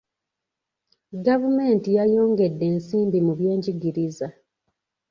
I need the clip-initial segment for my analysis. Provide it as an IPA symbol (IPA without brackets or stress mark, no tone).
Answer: ɡ